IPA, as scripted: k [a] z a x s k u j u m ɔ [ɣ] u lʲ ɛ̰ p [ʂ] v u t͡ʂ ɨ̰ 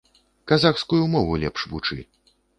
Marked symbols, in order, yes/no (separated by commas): yes, no, yes